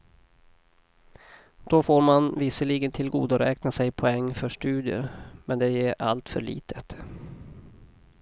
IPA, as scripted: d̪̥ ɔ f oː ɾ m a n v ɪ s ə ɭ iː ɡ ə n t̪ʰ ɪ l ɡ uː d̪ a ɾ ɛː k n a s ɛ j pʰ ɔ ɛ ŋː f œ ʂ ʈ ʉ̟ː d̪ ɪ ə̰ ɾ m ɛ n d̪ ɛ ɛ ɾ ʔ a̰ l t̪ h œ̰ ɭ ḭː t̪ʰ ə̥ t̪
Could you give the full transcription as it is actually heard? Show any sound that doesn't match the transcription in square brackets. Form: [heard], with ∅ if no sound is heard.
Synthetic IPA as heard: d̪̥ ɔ f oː ɾ m a n v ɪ s ə ɭ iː ɡ ə n t̪ʰ ɪ l ɡ uː d̪ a ɾ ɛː k n a s ɛ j pʰ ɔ ɛ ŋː f œ ʂ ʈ ʉ̟ː d̪ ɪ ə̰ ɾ m ɛ n d̪ ɛ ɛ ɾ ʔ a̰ l t̪ [f] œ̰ ɭ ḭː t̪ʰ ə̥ t̪